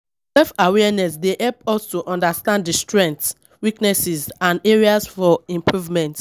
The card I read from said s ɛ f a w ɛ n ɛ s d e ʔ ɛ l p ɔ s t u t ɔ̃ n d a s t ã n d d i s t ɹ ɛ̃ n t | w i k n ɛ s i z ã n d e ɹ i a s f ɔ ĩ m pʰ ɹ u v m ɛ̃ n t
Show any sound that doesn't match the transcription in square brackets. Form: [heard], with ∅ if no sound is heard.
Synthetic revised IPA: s ɛ f a w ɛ n ɛ s d e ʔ ɛ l p ɔ s t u [ʔ] ɔ̃ n d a s t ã n d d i s t ɹ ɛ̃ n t | w i k n ɛ s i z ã n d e ɹ i a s f ɔ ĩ m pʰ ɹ u v m ɛ̃ n t